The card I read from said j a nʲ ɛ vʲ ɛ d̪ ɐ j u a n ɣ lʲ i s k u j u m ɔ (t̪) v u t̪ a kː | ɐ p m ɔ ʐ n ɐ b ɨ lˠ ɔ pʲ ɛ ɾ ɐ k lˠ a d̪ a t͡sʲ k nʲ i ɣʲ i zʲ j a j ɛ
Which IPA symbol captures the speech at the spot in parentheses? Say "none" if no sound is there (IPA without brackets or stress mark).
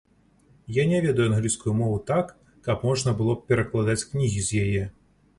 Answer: none